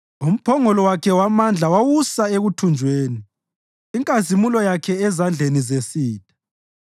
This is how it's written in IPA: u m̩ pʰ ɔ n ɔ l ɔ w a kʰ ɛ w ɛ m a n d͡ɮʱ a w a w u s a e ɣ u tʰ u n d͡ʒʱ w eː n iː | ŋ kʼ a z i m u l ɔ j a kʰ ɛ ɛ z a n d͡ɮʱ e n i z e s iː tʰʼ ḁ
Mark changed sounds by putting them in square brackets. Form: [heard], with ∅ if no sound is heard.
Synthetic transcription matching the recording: u m̩ pʰ ɔ [ŋ] ɔ l ɔ w a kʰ ɛ w [a] m a n d͡ɮʱ a w a w u s a e ɣ u tʰ u n d͡ʒʱ w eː n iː | ŋ kʼ a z i m u l ɔ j a kʰ ɛ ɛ z a n d͡ɮʱ e n i z e s iː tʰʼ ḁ